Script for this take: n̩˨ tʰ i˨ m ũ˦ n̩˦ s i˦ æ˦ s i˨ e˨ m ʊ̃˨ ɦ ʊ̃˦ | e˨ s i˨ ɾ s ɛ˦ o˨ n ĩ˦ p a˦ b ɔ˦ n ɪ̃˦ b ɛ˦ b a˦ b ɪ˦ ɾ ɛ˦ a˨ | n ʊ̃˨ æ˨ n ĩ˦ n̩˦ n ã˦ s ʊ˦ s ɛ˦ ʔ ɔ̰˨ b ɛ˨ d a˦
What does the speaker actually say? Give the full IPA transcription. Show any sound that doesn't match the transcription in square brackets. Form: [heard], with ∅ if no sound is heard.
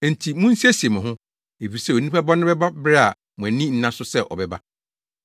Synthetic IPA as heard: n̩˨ tʰ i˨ m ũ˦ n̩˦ s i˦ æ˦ s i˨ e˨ m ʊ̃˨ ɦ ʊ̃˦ | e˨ [f] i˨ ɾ s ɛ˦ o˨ n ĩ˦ p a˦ b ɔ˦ n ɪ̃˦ b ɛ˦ b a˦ b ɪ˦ ɾ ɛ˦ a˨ | [m] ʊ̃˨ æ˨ n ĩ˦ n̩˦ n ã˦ s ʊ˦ s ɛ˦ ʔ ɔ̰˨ b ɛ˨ [b] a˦